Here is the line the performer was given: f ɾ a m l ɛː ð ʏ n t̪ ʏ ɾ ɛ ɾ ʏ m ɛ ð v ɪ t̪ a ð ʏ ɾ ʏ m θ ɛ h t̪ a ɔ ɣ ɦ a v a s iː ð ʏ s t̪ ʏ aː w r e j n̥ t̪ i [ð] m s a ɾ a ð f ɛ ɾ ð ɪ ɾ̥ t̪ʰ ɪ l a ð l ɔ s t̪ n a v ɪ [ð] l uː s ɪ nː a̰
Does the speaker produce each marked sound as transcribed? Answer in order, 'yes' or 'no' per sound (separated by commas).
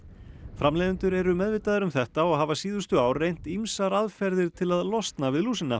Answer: no, yes